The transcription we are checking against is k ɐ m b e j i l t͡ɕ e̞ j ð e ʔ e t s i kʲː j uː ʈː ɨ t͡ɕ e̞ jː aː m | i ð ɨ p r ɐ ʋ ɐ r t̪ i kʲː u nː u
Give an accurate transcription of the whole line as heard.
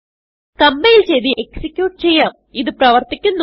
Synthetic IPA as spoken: k ɐ m b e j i l t͡ɕ e̞ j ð i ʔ e k s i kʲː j uː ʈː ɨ t͡ɕ e̞ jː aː m | i ð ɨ p r ɐ ʋ ɐ r t̪ i kʲː u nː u